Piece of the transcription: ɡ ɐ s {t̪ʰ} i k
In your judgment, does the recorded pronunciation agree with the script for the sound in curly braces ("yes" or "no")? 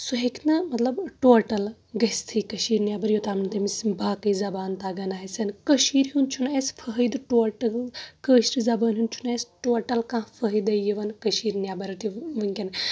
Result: yes